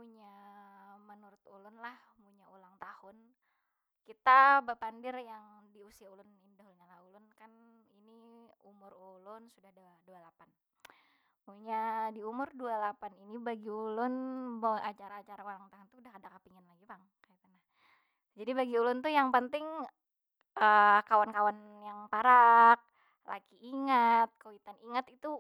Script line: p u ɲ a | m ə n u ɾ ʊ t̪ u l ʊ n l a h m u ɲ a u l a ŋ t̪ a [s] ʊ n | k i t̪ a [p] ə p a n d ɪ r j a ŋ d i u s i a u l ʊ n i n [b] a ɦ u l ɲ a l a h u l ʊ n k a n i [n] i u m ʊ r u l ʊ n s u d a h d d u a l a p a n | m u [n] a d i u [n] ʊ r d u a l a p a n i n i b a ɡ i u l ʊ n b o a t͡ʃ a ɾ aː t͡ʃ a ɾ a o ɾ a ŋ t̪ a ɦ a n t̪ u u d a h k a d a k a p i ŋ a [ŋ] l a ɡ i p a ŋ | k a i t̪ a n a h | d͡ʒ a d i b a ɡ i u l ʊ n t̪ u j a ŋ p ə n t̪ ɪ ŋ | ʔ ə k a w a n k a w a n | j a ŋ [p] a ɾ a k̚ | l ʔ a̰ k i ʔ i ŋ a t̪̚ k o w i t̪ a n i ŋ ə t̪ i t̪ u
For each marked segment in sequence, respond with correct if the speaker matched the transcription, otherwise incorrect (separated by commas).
incorrect, incorrect, incorrect, correct, incorrect, incorrect, incorrect, correct